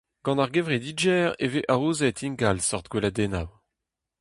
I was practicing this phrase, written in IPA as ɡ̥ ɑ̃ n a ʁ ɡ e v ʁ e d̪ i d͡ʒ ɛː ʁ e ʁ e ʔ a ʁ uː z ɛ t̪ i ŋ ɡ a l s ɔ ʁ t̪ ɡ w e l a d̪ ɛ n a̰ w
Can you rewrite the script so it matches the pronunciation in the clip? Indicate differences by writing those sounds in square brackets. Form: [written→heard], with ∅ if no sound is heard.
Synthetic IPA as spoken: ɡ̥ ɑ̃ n a ʁ ɡ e v ʁ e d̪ i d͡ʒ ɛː ʁ e [ʁ→v] e ʔ a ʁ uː z ɛ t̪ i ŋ ɡ a l s ɔ ʁ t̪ ɡ w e l a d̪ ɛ n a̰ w